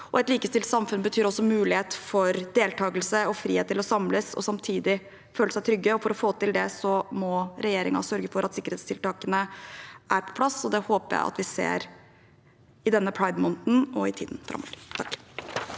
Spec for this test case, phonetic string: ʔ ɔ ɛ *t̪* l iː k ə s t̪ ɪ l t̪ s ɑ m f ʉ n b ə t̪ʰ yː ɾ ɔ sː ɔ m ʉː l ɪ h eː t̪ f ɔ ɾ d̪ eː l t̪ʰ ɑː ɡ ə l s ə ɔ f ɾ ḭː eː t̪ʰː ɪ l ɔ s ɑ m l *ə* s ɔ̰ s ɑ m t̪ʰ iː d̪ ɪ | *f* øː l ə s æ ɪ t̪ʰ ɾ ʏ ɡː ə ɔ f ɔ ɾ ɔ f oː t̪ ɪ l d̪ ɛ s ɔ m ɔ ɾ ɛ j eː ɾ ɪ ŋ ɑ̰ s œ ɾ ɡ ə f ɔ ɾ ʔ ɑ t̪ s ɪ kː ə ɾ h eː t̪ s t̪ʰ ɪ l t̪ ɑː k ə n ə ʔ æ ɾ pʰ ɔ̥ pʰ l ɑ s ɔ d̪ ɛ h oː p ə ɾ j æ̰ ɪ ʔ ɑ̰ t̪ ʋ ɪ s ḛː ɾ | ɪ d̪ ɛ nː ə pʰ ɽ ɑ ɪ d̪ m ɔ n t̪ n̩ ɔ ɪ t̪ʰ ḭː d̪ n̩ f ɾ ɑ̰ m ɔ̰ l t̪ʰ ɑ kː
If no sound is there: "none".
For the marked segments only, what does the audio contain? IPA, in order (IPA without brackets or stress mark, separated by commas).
t̪, ə, f